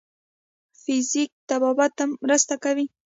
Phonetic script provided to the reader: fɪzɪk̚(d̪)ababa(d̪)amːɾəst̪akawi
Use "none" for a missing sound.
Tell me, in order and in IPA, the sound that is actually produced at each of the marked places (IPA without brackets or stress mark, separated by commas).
t̪, t̪